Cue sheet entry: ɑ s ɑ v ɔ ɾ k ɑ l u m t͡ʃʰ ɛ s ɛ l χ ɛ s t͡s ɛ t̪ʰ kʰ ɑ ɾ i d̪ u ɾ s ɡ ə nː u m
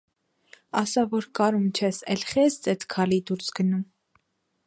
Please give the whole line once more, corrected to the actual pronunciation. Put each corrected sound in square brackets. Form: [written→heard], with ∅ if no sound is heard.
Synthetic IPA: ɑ s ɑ v ɔ ɾ k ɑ [l→ɾ] u m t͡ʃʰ ɛ s ɛ l χ ɛ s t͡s ɛ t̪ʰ kʰ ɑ [ɾ→l] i d̪ u ɾ s ɡ ə [nː→n] u m